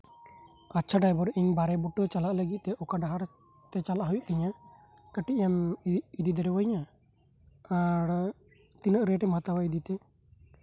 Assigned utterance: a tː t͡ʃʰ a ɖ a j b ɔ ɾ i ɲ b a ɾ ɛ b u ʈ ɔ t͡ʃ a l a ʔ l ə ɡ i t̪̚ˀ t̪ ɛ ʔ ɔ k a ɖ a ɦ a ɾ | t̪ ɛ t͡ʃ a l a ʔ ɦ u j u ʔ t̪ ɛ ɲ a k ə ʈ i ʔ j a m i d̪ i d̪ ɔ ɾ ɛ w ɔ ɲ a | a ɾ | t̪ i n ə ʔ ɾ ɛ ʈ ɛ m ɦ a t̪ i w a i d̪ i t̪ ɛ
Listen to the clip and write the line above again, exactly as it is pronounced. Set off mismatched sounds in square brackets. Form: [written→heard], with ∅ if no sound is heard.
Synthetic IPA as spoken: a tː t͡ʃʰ a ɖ a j b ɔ ɾ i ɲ b a ɾ ɛ b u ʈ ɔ t͡ʃ a l a ʔ l ə ɡ i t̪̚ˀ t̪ ɛ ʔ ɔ k a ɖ a ɦ a ɾ | t̪ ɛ t͡ʃ a l a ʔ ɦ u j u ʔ t̪ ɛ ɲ a k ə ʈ i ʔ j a m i d̪ i d̪ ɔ ɾ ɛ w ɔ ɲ a | a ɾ | t̪ i n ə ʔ ɾ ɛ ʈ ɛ m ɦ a t̪ [i→a] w a i d̪ i t̪ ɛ